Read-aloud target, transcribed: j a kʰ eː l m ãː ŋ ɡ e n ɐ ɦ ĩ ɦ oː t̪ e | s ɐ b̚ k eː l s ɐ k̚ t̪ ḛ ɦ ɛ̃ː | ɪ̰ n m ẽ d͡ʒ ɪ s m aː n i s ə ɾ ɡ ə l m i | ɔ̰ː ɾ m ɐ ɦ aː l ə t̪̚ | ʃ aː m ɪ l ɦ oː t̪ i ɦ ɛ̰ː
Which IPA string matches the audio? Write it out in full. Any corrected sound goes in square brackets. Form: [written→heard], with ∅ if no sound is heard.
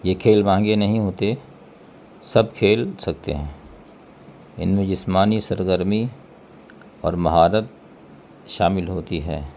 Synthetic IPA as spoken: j [a→e] kʰ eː l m ãː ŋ ɡ e n ɐ ɦ ĩ ɦ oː t̪ e | s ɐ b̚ [k→kʰ] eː l s ɐ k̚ t̪ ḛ ɦ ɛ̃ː | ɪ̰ n m ẽ d͡ʒ ɪ s m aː n i s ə ɾ ɡ ə [l→ɾ] m i | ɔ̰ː ɾ m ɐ ɦ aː [l→ɾ] ə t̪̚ | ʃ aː m ɪ l ɦ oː t̪ i ɦ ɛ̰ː